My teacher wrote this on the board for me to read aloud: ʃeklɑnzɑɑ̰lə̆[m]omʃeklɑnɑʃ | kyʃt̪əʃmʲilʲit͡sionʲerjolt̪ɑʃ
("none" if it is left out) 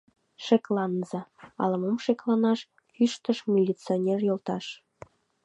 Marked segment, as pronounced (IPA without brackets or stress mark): m